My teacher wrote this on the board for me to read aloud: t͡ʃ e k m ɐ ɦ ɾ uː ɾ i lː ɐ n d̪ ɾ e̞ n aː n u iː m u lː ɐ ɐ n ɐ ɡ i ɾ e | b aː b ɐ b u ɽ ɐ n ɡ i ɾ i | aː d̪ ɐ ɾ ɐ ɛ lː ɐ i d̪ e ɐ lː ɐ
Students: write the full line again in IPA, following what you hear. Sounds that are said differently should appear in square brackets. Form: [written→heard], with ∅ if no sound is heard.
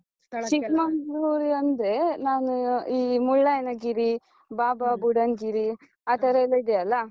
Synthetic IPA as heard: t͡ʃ [e→i] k m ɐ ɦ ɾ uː ɾ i [lː→∅] ɐ n d̪ ɾ e̞ n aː n u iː m u [lː→ɭː] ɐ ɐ n ɐ ɡ i ɾ [e→i] | b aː b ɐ b u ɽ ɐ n ɡ i ɾ i | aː [d̪→t̪] ɐ ɾ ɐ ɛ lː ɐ i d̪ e ɐ lː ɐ

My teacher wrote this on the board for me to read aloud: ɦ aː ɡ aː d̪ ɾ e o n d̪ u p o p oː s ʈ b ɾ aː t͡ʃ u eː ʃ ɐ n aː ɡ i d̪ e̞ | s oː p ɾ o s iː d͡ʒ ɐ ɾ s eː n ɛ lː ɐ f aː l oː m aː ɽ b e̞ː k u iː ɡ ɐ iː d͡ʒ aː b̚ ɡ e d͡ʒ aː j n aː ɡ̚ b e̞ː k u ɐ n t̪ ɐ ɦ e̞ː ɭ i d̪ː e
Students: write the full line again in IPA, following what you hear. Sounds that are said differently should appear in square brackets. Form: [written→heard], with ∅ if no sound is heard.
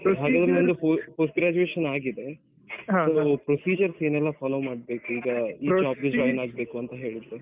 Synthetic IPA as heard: ɦ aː ɡ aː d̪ ɾ e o n d̪ u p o p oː s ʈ [b→ɡ] ɾ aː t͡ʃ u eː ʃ ɐ n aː ɡ i d̪ e̞ | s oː p ɾ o s iː d͡ʒ ɐ ɾ s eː n ɛ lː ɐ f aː l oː m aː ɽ b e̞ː k u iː ɡ ɐ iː d͡ʒ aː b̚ ɡ e d͡ʒ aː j n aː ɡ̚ b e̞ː k u ɐ n t̪ ɐ ɦ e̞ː ɭ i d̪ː e

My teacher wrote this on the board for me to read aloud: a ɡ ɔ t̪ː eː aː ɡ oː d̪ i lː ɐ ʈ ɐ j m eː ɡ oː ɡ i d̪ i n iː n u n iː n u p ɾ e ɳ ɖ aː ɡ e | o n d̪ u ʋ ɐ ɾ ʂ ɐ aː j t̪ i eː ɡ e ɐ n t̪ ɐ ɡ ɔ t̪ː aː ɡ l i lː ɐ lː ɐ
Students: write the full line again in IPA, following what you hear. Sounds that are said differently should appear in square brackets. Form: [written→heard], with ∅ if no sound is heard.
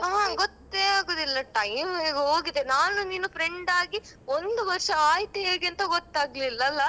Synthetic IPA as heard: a ɡ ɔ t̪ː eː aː ɡ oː d̪ i lː ɐ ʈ ɐ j m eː ɡ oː ɡ i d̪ [i→e] n [iː→aː] n u n iː n u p ɾ e ɳ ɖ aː ɡ [e→i] | o n d̪ u ʋ ɐ ɾ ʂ ɐ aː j t̪ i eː ɡ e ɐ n t̪ ɐ ɡ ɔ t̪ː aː ɡ l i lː ɐ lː ɐ

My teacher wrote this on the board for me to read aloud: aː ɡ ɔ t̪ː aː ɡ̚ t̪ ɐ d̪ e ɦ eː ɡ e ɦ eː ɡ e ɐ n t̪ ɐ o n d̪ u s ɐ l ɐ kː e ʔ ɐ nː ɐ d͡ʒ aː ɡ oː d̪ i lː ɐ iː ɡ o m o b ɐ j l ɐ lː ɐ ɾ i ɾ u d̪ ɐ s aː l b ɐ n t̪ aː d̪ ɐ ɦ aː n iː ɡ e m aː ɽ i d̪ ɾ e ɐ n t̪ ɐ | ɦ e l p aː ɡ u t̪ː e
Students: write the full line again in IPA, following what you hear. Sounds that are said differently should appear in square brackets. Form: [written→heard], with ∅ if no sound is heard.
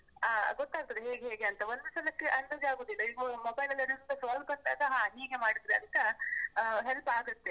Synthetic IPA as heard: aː ɡ ɔ t̪ː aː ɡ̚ t̪ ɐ d̪ e ɦ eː ɡ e ɦ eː ɡ e ɐ n t̪ ɐ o n d̪ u s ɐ l ɐ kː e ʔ ɐ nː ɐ d͡ʒ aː ɡ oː d̪ i lː ɐ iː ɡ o m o b ɐ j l ɐ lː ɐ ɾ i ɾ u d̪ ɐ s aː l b ɐ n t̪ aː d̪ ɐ ɦ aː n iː ɡ e m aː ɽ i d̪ ɾ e ɐ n t̪ ɐ | ɦ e l p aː ɡ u t̪ː e

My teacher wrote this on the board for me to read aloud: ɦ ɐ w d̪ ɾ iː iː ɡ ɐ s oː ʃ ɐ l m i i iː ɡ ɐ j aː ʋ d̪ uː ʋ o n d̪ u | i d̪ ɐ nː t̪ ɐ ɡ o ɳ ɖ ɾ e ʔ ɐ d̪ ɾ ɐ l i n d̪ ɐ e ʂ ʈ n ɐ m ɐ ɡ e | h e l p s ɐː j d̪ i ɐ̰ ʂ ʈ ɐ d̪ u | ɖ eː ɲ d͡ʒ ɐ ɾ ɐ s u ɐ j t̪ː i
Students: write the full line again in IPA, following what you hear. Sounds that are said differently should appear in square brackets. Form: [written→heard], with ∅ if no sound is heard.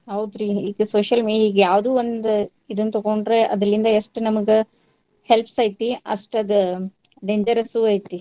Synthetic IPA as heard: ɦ ɐ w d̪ ɾ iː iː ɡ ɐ s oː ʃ ɐ l m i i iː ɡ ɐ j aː ʋ d̪ uː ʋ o n d̪ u | i d̪ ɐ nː t̪ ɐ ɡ o ɳ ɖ ɾ e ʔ ɐ d̪ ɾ ɐ l i n d̪ ɐ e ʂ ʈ n ɐ m ɐ ɡ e | h e l p s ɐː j [d̪→t̪] i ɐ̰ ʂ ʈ ɐ d̪ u | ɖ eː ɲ d͡ʒ ɐ ɾ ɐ s u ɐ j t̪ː i

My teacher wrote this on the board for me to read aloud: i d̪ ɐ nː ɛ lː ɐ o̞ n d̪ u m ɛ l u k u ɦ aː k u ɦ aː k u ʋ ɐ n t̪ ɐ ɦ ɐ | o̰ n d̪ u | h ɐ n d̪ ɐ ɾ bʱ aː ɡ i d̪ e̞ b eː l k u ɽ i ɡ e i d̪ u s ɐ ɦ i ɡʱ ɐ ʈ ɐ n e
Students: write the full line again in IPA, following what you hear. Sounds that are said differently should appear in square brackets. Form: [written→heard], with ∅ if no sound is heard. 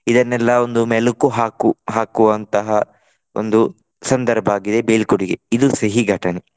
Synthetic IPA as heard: i d̪ ɐ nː ɛ lː ɐ o̞ n d̪ u m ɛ l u k u ɦ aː k u ɦ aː k u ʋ ɐ n t̪ ɐ ɦ ɐ | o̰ n d̪ u | [h→s] ɐ n d̪ ɐ ɾ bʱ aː ɡ i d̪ e̞ b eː l k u ɽ i ɡ e i d̪ u s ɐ ɦ i ɡʱ ɐ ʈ ɐ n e

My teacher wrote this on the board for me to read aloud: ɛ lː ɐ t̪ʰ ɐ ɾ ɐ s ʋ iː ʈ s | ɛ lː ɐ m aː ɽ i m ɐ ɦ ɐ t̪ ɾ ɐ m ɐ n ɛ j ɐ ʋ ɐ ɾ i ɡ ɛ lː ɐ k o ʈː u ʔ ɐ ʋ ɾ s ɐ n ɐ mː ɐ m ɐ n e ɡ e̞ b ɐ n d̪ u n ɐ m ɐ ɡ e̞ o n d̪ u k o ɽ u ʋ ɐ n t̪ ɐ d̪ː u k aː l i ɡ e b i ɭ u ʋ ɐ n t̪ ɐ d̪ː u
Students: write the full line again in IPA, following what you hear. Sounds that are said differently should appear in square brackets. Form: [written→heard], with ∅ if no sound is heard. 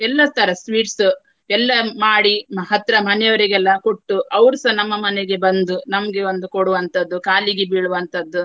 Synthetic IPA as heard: ɛ lː ɐ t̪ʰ ɐ ɾ ɐ s ʋ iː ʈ s | ɛ lː ɐ m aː ɽ i m ɐ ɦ ɐ t̪ ɾ ɐ m ɐ n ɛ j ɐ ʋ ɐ ɾ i ɡ ɛ lː ɐ k o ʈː u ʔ ɐ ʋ ɾ s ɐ n ɐ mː ɐ m ɐ n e ɡ e̞ b ɐ n d̪ u n ɐ m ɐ ɡ e̞ o n d̪ u k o ɽ u ʋ ɐ n t̪ ɐ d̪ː u k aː l i ɡ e b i ɭ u ʋ ɐ n t̪ ɐ d̪ː u

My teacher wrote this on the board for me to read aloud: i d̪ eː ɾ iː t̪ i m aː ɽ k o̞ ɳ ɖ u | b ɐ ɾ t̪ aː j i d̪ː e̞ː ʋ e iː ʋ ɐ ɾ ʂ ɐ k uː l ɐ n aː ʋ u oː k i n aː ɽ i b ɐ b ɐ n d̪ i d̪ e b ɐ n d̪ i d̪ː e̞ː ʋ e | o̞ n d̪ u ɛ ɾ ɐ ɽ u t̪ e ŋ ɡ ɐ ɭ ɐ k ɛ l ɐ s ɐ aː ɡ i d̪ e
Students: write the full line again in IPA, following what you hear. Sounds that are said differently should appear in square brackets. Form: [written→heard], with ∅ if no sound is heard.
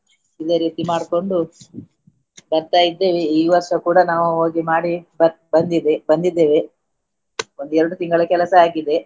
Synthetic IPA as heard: i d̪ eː ɾ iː t̪ i m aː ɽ k o̞ ɳ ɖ u | b ɐ ɾ t̪ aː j i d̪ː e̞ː ʋ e iː ʋ ɐ ɾ ʂ ɐ k uː [l→ɽ] ɐ n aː ʋ u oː [k→ɡ] i [n→m] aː ɽ i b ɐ b ɐ n d̪ i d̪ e b ɐ n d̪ i d̪ː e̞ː ʋ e | o̞ n d̪ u ɛ ɾ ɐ ɽ u t̪ [e→i] ŋ ɡ ɐ ɭ ɐ k ɛ l ɐ s ɐ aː ɡ i d̪ e

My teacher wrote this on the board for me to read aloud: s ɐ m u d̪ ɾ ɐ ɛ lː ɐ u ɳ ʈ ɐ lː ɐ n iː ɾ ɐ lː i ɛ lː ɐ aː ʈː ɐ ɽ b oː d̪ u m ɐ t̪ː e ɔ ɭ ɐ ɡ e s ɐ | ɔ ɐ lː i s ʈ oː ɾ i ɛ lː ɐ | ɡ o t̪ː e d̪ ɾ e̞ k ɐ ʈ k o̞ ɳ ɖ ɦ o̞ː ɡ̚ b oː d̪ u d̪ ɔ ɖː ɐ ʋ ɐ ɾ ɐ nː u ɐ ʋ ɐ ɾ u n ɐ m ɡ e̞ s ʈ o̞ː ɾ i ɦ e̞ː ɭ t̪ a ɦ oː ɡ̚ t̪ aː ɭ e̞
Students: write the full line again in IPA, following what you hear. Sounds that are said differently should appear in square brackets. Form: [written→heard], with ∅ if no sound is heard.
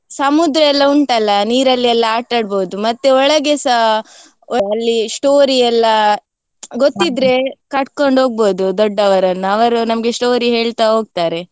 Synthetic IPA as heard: s ɐ m u d̪ ɾ ɐ ɛ lː ɐ u ɳ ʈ ɐ lː ɐ n iː ɾ ɐ lː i ɛ lː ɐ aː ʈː ɐ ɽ b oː d̪ u m ɐ t̪ː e ɔ ɭ ɐ ɡ e s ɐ | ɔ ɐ lː i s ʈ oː ɾ i ɛ lː ɐ | ɡ o t̪ː [e→i] d̪ ɾ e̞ k ɐ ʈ k o̞ ɳ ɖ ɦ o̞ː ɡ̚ b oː d̪ u d̪ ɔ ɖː ɐ ʋ ɐ ɾ ɐ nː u ɐ ʋ ɐ ɾ u n ɐ m ɡ e̞ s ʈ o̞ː ɾ i ɦ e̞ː ɭ t̪ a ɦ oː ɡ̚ t̪ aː [ɭ→ɾ] e̞

